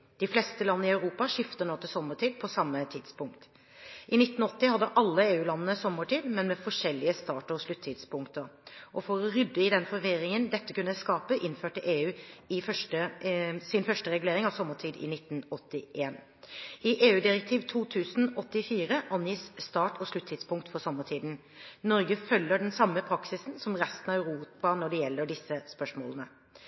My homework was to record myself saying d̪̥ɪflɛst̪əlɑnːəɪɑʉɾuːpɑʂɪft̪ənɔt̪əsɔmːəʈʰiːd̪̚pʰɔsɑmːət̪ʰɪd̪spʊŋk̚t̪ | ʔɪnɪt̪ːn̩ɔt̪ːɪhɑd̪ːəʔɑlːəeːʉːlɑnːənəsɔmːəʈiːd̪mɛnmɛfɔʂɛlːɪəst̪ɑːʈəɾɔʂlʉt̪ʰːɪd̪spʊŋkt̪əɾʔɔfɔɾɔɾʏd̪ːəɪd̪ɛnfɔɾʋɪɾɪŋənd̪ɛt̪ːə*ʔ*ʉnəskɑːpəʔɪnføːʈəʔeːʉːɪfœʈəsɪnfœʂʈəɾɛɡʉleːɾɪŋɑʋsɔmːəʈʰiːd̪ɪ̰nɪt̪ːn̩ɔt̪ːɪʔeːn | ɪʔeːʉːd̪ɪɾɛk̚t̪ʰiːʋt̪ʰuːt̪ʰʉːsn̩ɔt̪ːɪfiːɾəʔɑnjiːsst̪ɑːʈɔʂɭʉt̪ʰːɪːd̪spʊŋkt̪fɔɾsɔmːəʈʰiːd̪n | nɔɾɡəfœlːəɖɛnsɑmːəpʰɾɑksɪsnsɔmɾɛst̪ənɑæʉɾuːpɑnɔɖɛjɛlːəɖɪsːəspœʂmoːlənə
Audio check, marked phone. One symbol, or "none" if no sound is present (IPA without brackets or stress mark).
k